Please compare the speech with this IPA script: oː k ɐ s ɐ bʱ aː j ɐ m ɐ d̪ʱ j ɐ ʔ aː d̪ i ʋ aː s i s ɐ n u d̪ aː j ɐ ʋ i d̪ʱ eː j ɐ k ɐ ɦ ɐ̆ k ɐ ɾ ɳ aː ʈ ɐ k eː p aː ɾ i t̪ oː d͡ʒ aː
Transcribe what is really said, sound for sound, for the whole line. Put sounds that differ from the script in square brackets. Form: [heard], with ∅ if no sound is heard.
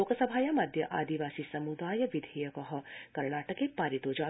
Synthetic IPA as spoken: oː k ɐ s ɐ bʱ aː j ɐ m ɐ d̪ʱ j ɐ ʔ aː d̪ i ʋ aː s i s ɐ [m] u d̪ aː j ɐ ʋ i d̪ʱ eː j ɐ k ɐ ɦ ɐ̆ k ɐ ɾ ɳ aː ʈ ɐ k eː p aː ɾ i t̪ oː d͡ʒ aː